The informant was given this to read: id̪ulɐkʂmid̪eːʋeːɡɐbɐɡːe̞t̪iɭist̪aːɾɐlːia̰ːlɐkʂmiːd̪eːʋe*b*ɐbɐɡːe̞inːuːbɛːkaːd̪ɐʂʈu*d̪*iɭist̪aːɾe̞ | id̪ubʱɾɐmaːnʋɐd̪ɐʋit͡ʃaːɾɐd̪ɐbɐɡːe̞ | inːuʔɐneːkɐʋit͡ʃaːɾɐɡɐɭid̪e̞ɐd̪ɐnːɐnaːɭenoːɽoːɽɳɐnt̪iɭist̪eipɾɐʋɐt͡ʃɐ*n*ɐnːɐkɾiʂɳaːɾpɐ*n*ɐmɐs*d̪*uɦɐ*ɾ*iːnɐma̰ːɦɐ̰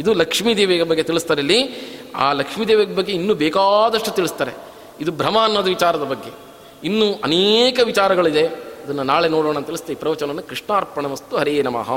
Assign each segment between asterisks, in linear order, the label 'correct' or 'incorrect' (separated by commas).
incorrect, incorrect, correct, incorrect, incorrect, correct